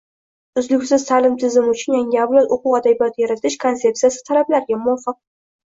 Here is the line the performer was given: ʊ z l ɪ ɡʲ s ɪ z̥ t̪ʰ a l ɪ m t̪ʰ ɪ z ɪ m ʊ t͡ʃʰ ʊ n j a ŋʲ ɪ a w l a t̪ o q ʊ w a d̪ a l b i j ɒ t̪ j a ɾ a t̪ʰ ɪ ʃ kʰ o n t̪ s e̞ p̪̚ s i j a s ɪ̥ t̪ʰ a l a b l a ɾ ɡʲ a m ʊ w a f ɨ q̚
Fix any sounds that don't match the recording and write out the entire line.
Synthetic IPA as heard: ʊ z l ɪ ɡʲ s ɪ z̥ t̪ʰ a l ɪ m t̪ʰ ɪ z ɪ m ʊ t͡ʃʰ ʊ n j a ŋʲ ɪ a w l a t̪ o q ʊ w a d̪ a b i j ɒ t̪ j a ɾ a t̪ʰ ɪ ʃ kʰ o n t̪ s e̞ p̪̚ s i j a s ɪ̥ t̪ʰ a l a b l a ɾ ɡʲ a m ʊ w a f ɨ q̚